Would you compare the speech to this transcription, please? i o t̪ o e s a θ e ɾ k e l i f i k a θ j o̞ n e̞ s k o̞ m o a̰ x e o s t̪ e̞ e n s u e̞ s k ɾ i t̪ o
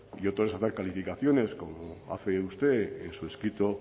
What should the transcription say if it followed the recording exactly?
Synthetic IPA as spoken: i o t̪ o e s a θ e ɾ k a l i f i k a θ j o̞ n e̞ s k o̞ m o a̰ f e u s t̪ e̞ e n s u e̞ s k ɾ i t̪ o